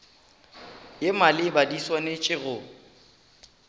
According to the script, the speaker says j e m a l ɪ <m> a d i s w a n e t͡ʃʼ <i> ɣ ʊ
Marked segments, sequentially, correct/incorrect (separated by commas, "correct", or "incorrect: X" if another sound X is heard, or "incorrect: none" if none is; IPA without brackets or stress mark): incorrect: b, incorrect: ɪ